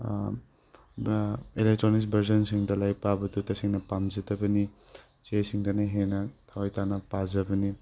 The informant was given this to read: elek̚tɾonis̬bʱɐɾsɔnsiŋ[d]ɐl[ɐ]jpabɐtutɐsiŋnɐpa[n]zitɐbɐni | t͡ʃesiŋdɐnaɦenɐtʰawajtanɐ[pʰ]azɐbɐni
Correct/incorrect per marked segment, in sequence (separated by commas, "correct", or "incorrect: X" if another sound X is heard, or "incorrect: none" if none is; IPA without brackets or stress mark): correct, incorrect: a, incorrect: m, incorrect: p